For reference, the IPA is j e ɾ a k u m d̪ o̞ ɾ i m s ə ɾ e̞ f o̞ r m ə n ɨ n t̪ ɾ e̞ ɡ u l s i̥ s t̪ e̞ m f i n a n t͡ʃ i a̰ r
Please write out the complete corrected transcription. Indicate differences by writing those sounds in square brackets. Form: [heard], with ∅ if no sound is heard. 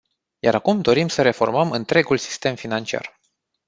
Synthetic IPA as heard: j [a] ɾ a k u m d̪ o̞ ɾ i m s ə ɾ e̞ f o̞ r m ə [m] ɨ n t̪ ɾ e̞ ɡ u l s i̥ s t̪ e̞ m f i n a n t͡ʃ i a̰ r